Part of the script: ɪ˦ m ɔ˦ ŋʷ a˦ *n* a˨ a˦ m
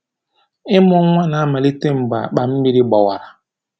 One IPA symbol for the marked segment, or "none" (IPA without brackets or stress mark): n